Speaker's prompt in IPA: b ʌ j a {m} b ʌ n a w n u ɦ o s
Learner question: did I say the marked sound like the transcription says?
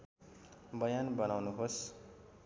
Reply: no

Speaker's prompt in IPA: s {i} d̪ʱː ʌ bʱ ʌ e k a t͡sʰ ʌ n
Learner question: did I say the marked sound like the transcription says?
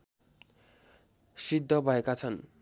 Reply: yes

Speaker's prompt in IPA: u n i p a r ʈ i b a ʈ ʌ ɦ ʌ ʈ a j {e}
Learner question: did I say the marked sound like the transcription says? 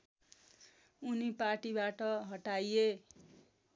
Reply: yes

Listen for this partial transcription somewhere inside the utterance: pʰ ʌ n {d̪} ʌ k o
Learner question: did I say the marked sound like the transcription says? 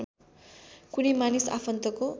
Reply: no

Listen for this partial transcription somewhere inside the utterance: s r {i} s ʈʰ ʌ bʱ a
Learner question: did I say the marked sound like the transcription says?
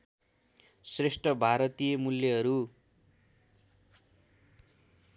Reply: no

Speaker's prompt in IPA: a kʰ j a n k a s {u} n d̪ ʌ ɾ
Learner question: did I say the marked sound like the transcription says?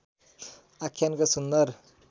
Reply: yes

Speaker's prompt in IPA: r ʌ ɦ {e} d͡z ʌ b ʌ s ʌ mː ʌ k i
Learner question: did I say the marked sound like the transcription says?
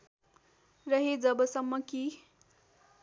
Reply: yes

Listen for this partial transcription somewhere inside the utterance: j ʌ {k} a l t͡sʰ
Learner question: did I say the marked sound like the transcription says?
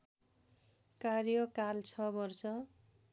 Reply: yes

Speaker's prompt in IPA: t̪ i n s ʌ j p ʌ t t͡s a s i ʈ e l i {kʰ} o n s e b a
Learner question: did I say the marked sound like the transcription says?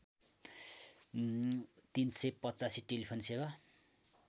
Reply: no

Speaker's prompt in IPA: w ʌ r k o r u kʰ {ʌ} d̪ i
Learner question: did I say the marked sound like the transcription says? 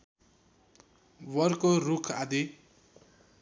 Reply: no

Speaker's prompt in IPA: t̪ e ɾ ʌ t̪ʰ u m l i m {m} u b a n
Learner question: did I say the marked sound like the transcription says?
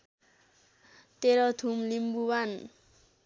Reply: no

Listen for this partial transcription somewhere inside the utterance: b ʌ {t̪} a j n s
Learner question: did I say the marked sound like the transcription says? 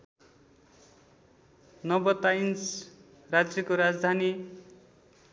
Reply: yes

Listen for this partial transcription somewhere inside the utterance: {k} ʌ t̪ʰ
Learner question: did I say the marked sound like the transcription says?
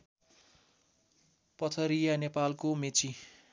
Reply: no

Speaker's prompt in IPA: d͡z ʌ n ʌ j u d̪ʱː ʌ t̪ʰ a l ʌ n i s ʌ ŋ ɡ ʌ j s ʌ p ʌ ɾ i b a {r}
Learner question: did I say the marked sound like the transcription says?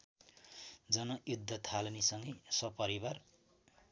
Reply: yes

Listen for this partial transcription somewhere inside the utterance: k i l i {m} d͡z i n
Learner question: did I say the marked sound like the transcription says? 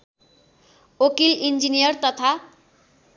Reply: no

